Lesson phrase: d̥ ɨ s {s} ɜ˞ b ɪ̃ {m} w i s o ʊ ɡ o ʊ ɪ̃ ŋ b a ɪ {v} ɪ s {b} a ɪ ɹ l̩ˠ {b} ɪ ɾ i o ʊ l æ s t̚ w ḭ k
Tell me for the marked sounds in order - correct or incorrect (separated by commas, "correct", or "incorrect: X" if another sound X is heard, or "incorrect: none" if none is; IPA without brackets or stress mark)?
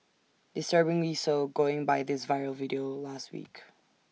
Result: incorrect: t, incorrect: ŋ, incorrect: ð, incorrect: v, incorrect: v